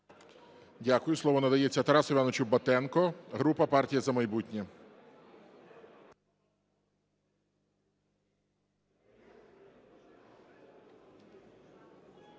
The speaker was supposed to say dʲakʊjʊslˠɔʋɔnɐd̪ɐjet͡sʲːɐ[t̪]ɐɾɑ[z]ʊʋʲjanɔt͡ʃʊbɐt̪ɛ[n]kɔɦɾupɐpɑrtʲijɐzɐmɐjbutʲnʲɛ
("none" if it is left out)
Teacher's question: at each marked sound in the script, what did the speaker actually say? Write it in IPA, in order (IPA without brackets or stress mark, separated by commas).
t̪, s, n